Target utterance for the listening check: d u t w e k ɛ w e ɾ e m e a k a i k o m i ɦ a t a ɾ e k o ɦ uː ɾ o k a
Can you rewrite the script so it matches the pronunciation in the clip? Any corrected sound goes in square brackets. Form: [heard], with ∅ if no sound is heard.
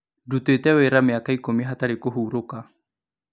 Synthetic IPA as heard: d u t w e [t] ɛ w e ɾ [a] m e a k a i k o m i ɦ a t a ɾ e k o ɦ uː ɾ o k a

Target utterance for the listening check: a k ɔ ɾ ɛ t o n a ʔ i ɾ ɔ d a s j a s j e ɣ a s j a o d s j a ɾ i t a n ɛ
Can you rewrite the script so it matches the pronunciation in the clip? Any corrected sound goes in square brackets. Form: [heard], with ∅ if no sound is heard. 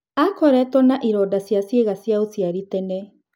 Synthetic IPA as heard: a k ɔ ɾ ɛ t [ɔ] n a ʔ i ɾ ɔ d a s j a s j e ɣ a s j a o [∅] s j a ɾ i t [ɛ] n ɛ

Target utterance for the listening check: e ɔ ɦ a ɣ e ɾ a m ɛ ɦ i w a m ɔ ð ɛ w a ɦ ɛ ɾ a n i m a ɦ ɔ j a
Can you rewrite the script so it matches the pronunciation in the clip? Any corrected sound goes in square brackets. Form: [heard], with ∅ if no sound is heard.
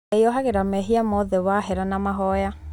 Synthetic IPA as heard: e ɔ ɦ a ɣ e ɾ a m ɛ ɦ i [∅] a m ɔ ð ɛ w a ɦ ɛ ɾ a n [a] m a ɦ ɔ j a

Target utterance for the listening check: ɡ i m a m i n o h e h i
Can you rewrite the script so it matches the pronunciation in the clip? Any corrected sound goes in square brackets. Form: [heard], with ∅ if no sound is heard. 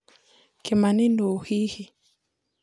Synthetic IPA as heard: [k] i m a [n] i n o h [i] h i

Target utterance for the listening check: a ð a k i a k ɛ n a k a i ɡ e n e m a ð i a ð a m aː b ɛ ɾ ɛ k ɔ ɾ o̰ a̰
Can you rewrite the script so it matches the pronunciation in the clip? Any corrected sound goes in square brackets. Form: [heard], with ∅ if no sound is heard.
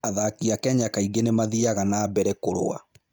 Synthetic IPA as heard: a ð a k i a k ɛ [ɲ] a k a i ɡ e n e m a ð i a [ɣ] a [n] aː b ɛ ɾ ɛ k [o] ɾ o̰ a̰

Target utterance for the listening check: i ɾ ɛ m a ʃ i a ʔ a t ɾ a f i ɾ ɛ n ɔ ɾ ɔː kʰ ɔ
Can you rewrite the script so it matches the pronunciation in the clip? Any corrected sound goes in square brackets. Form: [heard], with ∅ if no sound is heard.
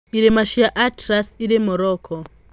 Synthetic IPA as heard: i ɾ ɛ m a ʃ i a ʔ a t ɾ a [s] i ɾ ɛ [m] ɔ ɾ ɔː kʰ ɔ

